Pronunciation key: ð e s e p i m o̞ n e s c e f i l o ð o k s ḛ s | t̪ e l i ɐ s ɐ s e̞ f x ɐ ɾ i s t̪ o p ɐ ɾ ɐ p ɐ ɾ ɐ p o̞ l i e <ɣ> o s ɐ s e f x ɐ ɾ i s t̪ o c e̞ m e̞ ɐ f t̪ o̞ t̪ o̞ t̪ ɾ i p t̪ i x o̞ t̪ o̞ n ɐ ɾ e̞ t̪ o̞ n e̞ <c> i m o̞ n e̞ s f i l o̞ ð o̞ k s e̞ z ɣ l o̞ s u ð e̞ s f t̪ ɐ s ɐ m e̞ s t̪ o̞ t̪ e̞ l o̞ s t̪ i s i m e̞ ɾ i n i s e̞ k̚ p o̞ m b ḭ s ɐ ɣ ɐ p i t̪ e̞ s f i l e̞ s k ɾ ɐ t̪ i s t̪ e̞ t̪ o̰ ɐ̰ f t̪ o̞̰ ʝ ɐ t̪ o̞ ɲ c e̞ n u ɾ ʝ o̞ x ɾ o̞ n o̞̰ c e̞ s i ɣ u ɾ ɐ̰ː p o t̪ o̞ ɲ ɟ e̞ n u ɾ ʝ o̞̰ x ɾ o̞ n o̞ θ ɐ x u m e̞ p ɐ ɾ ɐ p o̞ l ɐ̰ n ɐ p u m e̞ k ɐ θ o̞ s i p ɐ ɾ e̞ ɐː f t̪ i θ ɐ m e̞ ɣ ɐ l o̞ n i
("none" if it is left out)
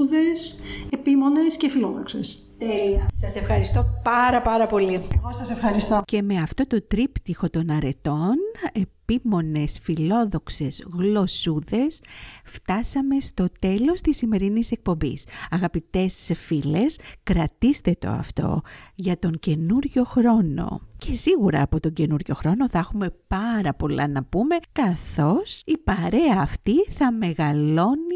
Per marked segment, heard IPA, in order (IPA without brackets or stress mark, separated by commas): ɣ, p